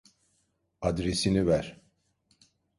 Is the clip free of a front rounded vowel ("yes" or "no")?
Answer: yes